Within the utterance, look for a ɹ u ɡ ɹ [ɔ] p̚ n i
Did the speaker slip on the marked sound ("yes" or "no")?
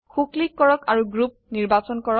yes